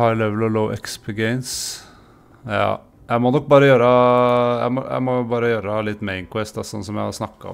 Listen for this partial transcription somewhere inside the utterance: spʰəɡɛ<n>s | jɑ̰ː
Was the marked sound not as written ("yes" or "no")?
no